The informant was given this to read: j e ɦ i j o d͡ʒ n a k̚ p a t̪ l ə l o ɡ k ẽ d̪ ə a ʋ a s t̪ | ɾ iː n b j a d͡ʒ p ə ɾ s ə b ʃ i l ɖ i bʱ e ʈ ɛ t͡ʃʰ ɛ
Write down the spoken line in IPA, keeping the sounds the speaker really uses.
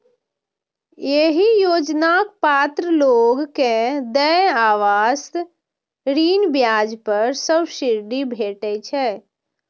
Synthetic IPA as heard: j e ɦ i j o d͡ʒ n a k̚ p a t̪ ɾ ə l o ɡ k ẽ d̪ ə a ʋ a s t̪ | ɾ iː n b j a d͡ʒ p ə ɾ s ə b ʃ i ɾ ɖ i bʱ e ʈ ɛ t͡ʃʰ ɛ